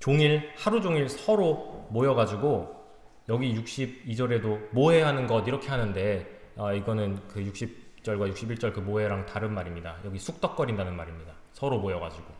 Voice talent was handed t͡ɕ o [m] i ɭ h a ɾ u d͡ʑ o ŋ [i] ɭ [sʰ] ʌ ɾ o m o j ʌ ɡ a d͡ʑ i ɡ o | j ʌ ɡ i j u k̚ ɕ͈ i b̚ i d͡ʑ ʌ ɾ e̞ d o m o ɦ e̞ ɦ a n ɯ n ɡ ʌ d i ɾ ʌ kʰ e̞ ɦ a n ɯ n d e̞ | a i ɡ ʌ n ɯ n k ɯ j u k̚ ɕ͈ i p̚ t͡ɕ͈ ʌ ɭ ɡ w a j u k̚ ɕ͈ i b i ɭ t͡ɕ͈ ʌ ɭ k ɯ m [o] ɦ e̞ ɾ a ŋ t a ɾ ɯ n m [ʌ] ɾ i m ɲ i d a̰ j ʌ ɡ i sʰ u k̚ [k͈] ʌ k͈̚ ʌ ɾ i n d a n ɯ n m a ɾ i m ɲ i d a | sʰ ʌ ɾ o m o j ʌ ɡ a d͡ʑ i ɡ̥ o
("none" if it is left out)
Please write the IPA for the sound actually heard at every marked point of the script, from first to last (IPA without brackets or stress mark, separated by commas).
ŋ, i, sʰ, o, a, t͈